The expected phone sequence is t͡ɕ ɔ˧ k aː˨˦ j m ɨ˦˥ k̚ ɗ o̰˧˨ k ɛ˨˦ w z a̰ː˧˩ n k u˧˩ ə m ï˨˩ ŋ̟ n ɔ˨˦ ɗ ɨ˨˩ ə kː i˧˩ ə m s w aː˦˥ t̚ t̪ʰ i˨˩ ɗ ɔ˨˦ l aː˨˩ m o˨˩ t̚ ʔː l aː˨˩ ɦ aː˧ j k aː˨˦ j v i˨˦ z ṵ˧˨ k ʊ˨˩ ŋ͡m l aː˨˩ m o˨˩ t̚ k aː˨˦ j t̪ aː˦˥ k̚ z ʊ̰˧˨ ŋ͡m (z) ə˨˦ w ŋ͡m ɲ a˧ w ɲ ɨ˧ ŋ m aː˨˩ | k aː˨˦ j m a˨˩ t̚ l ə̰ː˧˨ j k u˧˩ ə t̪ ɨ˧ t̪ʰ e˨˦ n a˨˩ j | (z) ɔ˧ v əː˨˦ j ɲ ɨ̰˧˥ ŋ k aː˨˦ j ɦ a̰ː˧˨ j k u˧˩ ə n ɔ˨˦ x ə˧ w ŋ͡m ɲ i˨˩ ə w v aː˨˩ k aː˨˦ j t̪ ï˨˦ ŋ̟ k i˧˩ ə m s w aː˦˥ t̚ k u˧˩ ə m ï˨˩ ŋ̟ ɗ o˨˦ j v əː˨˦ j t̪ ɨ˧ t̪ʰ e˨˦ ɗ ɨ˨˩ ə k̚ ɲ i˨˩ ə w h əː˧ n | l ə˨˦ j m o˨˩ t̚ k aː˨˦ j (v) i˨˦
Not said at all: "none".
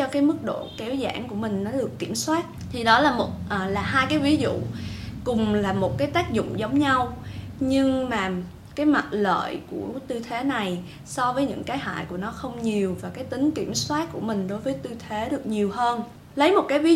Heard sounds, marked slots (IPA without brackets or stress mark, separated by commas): z, s, v